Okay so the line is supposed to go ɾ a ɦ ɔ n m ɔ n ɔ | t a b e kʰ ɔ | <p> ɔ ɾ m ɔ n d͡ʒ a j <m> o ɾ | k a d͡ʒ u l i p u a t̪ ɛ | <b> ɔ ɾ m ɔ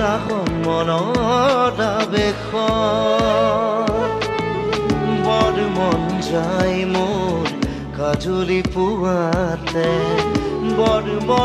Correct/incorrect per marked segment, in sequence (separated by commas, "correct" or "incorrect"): incorrect, correct, correct